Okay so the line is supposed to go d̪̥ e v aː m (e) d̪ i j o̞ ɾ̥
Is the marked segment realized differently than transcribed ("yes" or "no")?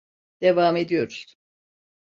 no